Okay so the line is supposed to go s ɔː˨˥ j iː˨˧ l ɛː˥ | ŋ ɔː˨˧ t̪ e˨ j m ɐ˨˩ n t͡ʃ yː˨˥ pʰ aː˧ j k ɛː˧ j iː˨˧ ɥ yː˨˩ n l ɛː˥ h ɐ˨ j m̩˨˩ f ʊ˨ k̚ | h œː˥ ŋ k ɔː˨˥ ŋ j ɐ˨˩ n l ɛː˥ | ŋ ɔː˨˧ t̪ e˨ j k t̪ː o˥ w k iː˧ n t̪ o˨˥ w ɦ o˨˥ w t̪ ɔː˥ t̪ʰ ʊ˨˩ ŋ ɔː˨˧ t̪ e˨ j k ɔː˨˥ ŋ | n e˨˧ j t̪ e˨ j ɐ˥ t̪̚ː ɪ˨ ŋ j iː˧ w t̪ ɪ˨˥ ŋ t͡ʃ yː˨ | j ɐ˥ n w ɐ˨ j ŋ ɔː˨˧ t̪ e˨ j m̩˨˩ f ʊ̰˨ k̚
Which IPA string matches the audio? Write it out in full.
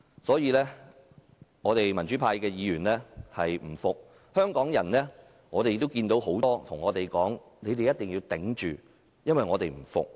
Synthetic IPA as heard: s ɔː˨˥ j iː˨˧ l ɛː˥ | ŋ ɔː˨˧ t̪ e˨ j m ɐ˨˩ n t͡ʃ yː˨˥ pʰ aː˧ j k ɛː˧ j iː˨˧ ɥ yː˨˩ n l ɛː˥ h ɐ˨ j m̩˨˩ f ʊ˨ k̚ | h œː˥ ŋ k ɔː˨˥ ŋ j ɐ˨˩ n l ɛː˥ | ŋ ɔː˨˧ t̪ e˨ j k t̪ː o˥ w k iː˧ n t̪ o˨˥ w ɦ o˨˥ w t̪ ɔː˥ t̪ʰ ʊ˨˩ ŋ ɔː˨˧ t̪ e˨ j k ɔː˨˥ ŋ | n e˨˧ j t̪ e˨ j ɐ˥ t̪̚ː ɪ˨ ŋ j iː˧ w t̪ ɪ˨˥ ŋ t͡ʃ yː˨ | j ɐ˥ n w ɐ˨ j ŋ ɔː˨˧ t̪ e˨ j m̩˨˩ f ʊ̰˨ k̚